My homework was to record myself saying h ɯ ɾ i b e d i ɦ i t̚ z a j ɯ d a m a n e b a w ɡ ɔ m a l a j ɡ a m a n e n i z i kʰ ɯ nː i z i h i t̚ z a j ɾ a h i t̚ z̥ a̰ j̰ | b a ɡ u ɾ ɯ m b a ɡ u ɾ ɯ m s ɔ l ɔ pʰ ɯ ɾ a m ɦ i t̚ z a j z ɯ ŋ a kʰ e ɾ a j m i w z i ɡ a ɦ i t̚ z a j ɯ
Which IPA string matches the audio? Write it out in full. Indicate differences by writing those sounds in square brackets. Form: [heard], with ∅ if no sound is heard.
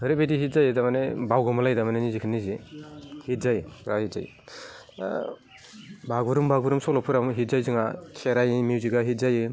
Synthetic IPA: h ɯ ɾ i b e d i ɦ i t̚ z a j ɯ d a m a n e b a w ɡ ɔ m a l a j [d] a m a n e n i z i kʰ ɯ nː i z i h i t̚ z a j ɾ a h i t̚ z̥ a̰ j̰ | b a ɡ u ɾ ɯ m b a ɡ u ɾ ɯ m s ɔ l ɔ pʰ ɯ ɾ a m ɦ i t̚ z a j z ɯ ŋ a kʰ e ɾ a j m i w z i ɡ a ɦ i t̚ z a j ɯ